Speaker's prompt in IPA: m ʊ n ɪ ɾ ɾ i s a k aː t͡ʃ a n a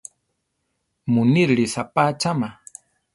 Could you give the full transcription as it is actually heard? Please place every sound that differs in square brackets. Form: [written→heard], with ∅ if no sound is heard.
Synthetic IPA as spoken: m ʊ n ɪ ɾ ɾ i s a [k→p] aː t͡ʃ a [n→m] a

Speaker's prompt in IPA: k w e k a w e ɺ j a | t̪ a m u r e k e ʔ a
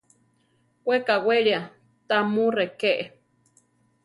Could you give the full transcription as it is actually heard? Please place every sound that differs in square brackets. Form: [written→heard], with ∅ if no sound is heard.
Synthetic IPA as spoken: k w e k a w e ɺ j a | t̪ a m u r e k e ʔ [a→e]

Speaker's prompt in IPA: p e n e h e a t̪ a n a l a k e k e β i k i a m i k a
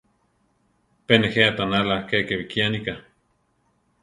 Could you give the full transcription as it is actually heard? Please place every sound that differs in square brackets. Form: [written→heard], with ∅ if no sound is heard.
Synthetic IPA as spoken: p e n e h e a t̪ a n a l a k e k e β i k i a [m→n] i k a

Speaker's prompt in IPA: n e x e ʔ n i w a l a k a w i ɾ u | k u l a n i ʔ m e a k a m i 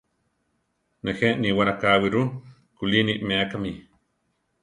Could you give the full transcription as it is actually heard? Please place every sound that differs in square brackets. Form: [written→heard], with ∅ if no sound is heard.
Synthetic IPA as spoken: n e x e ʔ n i w a [l→ɾ] a k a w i ɾ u | k u l [a→i] n i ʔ m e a k a m i

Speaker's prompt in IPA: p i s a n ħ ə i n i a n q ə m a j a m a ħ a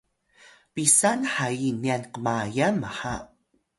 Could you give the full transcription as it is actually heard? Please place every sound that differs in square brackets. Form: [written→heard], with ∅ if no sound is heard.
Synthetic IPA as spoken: p i s a n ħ [ə→a] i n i a n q ə m a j a m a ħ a

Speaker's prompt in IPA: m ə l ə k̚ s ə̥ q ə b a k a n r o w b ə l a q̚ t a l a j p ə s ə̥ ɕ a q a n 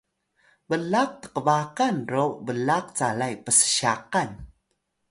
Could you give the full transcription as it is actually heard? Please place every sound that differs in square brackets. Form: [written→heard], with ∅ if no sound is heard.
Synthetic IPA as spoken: [m→b] ə l [ə→a] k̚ [s→t] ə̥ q ə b a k a n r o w b ə l a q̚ [t→t͡s] a l a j p ə s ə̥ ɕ a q a n

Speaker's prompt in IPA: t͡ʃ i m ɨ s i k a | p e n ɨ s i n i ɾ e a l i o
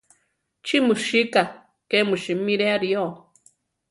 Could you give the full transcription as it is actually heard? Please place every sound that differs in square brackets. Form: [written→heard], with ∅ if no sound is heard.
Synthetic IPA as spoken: t͡ʃ i m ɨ [s→ʃ] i k a | [p→k] e [n→m] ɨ [s→ʃ] i [n→m] i ɾ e a [l→ɾ] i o

